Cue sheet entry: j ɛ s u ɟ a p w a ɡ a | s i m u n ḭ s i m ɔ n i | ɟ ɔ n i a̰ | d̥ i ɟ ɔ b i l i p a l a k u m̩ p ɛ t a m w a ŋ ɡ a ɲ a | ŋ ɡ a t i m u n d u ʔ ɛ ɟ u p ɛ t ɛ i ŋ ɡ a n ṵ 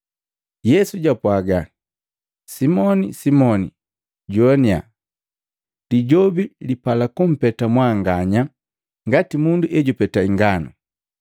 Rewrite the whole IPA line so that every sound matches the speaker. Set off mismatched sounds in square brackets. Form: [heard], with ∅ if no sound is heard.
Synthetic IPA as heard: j ɛ s u ɟ a p w a ɡ a | s i m [ɔ] n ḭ s i m ɔ n i | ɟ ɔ n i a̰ | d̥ i ɟ ɔ b i l i p a l a k u m̩ p ɛ t a m w a ŋ ɡ a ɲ a | ŋ ɡ a t i m u n d u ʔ ɛ ɟ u p ɛ t [a] i ŋ ɡ a n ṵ